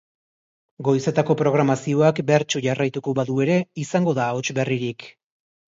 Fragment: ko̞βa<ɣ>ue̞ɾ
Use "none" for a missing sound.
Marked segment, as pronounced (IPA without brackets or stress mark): ð